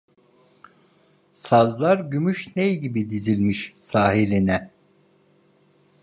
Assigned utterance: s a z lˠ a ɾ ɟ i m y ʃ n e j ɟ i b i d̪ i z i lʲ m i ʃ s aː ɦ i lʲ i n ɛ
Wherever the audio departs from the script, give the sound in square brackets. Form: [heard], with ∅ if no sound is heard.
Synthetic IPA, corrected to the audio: s a z lˠ a ɾ ɟ [y] m y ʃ n e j ɟ i b i d̪ i z i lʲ m i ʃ s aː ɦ i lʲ i n ɛ